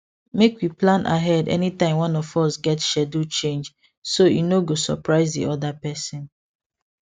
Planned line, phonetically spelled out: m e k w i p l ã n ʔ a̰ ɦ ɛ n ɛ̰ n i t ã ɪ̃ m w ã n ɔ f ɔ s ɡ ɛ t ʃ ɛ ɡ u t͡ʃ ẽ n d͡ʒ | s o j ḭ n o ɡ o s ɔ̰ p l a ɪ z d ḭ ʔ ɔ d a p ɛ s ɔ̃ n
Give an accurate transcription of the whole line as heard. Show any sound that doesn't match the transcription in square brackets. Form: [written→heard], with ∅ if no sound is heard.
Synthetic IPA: m e k w i p l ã n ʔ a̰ ɦ ɛ [n→d] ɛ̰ n i t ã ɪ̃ m w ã n ɔ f ɔ s ɡ ɛ t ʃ ɛ [ɡ→d] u t͡ʃ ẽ n d͡ʒ | s o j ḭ n o ɡ o s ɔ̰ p [l→ɹ] a ɪ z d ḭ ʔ ɔ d a p ɛ s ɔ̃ n